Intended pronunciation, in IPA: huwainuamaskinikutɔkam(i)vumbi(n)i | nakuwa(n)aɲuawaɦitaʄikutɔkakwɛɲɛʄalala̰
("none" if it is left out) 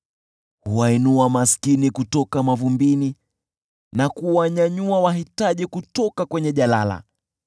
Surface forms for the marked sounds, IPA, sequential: a, n, ɲ

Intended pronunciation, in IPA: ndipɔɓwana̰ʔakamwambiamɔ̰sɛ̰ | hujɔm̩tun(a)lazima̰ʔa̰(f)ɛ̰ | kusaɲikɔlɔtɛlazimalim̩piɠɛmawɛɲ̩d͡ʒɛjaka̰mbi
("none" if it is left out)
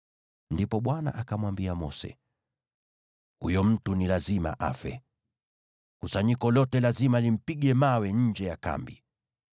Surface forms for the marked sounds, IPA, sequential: i, f

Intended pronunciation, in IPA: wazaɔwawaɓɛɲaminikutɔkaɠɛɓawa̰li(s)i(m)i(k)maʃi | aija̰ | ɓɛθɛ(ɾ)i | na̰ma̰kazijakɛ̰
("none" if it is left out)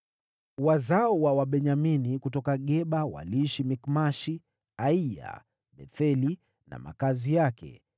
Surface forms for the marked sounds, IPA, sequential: ʃ, m, k, l

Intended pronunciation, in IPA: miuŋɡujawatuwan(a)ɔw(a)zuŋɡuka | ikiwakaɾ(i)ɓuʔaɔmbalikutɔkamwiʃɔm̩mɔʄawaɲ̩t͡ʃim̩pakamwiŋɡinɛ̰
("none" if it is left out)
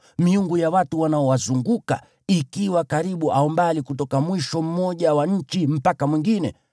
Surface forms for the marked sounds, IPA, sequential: a, a, i

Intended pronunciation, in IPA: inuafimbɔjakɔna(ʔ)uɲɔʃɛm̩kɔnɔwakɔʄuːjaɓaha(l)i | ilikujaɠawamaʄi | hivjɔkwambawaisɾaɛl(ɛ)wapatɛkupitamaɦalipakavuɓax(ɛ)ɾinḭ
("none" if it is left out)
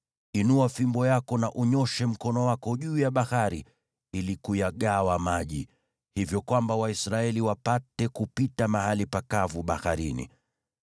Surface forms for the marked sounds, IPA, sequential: ʔ, ɾ, i, a

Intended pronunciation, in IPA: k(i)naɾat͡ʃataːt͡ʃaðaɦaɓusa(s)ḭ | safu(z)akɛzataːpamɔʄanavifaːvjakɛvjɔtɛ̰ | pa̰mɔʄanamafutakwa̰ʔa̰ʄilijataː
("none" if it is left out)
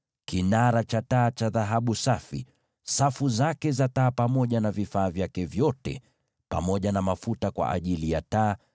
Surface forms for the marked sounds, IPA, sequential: i, f, z

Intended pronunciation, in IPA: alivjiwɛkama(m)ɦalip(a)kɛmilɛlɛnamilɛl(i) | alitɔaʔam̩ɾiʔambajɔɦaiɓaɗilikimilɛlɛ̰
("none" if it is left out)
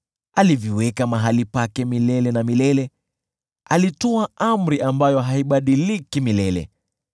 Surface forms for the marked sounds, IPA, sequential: none, a, ɛ

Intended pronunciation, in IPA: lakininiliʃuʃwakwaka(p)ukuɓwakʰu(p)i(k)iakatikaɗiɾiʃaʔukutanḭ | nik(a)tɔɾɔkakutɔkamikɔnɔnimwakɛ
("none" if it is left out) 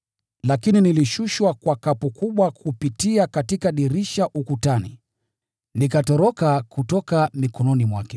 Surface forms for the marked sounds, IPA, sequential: p, p, t, a

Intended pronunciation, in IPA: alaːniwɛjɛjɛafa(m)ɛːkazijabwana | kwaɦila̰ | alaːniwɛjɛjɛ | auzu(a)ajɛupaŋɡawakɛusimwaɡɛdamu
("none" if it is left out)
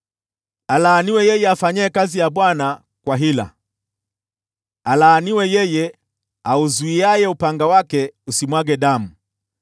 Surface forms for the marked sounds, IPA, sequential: ɲ, i

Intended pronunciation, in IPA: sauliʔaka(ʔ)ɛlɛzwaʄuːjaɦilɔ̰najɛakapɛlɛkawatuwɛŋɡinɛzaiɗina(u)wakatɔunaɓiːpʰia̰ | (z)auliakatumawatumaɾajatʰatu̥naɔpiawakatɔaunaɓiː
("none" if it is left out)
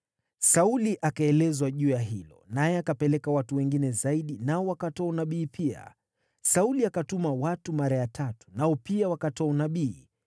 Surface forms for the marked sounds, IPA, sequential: none, ɔ, s

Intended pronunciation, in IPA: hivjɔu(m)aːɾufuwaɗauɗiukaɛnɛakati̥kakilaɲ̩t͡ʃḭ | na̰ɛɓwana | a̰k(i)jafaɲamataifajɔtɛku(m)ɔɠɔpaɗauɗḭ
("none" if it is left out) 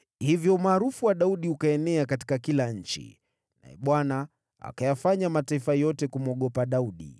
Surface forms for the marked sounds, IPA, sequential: m, a, m

